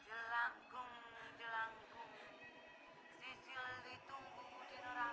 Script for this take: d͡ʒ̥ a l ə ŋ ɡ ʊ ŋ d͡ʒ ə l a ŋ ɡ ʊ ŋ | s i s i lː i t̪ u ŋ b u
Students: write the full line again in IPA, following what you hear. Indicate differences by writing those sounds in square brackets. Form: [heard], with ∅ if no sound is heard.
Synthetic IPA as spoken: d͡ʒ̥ [ə] l [a] ŋ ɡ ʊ ŋ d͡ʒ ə l a ŋ ɡ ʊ ŋ | s i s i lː i t̪ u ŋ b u